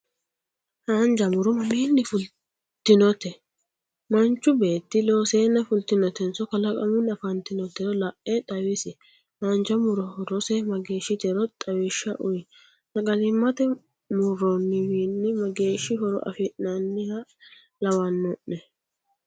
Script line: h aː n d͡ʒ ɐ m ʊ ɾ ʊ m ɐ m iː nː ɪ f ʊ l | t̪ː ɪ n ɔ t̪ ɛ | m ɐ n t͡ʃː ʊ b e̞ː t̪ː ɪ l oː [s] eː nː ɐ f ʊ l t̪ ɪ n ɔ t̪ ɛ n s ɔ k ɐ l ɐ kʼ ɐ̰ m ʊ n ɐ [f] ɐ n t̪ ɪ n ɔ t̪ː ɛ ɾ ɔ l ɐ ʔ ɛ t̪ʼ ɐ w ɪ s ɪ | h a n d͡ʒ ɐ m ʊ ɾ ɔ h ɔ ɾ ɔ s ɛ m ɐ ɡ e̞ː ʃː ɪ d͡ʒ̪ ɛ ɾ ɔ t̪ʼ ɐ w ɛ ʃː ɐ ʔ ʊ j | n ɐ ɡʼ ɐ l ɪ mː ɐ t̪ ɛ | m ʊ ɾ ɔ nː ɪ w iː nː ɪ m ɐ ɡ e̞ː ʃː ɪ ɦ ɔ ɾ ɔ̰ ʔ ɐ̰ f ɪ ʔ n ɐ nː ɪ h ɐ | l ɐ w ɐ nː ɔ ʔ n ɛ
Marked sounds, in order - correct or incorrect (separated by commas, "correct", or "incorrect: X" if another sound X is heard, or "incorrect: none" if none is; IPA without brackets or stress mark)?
correct, correct